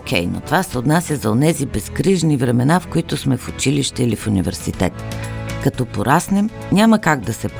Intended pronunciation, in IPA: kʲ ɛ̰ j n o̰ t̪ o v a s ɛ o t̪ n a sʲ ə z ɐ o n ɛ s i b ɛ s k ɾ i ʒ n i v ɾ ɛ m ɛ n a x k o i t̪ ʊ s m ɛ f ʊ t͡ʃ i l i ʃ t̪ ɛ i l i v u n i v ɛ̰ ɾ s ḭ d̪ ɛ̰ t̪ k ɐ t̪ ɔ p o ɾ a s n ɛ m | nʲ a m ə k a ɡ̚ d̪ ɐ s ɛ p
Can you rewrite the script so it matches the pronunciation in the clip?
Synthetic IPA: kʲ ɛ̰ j n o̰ t̪ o v a s ɛ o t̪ n a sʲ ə z ɐ o n ɛ z i b ɛ s k ɾ i ʒ n i v ɾ ɛ m ɛ n a f k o i t̪ ʊ s m ɛ f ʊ t͡ʃ i l i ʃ t̪ ɛ i l i f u n i v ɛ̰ ɾ s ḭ t̪ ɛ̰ t̪ k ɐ t̪ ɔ p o ɾ a s n ɛ m | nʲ a m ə k a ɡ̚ d̪ ɐ s ɛ p